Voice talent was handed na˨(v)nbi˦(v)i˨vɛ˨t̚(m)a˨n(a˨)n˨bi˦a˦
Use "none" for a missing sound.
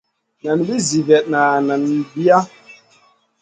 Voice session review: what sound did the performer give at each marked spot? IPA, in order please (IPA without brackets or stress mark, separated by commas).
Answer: none, z, n, a˨